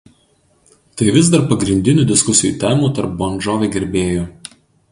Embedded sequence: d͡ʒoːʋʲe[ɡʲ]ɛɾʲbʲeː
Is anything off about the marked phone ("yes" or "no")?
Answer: no